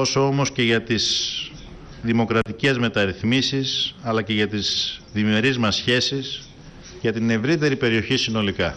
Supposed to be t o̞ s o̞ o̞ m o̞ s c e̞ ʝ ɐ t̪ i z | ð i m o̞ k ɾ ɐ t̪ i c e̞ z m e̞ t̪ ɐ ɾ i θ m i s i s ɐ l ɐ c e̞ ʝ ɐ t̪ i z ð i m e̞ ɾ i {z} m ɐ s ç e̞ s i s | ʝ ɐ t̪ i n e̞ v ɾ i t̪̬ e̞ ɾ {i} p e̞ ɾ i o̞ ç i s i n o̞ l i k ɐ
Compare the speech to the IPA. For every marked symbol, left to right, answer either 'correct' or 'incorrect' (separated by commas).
correct, correct